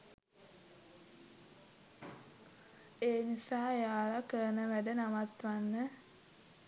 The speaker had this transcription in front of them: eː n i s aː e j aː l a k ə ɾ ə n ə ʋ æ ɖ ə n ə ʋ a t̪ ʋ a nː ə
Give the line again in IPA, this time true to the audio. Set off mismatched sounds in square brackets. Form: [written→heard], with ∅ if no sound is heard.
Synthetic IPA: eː n i s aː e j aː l a k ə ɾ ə n ə ʋ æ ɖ ə n [ə→a] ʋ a t̪ ʋ a nː ə